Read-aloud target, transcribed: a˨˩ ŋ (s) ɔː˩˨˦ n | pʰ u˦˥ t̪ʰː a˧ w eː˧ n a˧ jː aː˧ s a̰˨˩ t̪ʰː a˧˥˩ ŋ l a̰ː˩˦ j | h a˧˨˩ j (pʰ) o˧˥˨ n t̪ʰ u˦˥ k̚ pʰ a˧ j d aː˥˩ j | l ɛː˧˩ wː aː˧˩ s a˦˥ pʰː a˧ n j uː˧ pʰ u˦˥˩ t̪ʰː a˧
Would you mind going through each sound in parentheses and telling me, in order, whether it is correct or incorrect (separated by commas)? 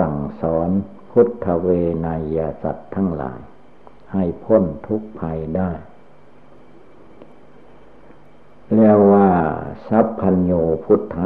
correct, correct